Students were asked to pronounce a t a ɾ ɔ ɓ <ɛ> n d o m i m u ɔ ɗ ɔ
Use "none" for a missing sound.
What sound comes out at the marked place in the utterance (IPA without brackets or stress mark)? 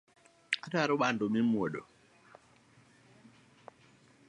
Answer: a